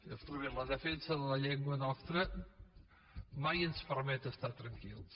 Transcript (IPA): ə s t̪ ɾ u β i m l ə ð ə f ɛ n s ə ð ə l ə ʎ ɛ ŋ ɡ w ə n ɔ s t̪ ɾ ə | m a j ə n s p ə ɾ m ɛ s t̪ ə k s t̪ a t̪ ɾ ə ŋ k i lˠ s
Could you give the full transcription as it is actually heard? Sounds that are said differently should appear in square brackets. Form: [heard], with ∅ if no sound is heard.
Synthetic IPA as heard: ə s t̪ ɾ u β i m l ə ð ə f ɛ n s ə ð ə l ə ʎ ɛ ŋ ɡ w ə n ɔ s t̪ ɾ ə | m a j ə n s p ə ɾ m ɛ [∅] t̪ ə [∅] s t̪ a t̪ ɾ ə ŋ k i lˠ s